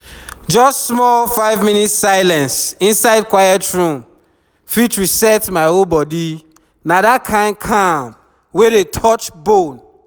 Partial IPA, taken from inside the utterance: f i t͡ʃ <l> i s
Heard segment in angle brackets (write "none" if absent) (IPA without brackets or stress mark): ɹ